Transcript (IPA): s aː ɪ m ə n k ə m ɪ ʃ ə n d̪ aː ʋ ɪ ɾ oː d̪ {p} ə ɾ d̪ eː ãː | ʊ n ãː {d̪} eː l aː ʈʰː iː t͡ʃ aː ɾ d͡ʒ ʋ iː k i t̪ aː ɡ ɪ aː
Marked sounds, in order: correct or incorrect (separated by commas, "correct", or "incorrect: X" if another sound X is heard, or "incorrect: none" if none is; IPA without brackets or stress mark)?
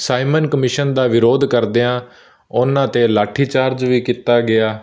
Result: incorrect: k, incorrect: t̪